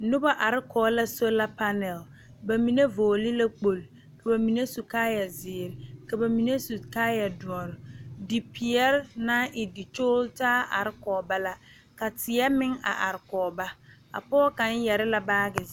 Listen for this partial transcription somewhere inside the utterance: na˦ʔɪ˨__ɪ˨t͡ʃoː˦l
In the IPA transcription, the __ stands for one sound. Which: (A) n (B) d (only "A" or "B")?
B